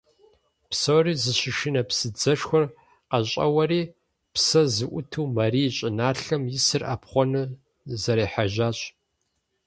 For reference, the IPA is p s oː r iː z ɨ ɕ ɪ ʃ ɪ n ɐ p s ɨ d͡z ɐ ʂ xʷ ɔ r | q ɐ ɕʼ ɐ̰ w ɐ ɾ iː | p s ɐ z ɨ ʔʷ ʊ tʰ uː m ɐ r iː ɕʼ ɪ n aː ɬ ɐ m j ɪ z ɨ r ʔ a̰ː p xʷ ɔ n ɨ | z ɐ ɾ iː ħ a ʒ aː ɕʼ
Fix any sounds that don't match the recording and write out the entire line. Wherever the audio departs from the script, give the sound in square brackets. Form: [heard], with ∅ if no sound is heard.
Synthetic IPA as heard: p s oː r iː z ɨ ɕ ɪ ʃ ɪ n ɐ p s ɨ d͡z ɐ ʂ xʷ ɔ r | q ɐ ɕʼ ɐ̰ w ɐ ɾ iː | p s ɐ z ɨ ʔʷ ʊ tʰ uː m ɐ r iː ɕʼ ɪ n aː ɬ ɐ m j ɪ [s] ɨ r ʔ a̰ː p [χʷ] ɔ n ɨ | z ɐ ɾ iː ħ a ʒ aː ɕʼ